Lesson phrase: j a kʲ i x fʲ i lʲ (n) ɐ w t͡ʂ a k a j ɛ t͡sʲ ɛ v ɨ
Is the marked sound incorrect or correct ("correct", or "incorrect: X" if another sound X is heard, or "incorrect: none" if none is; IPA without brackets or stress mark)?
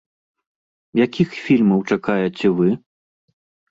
incorrect: m